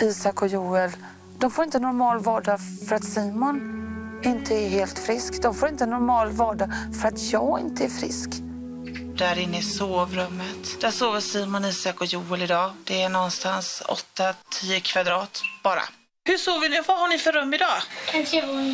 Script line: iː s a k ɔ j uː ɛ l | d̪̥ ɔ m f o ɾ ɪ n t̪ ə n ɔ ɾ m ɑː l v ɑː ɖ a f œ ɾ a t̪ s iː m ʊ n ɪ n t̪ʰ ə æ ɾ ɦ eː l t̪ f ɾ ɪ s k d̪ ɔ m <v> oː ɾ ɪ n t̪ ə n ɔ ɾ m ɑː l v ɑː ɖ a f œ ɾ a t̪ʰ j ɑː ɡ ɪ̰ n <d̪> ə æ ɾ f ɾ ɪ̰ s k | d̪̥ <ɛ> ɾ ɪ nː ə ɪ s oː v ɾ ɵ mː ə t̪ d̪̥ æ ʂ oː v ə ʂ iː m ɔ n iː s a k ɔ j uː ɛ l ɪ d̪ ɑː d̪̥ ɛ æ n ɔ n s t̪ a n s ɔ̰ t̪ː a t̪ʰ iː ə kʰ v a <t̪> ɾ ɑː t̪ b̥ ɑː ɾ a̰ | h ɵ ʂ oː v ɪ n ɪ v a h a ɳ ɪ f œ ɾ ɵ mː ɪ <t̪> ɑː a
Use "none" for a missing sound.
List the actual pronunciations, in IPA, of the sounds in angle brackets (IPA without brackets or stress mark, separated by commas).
f, t̪, æ, d̪, d̪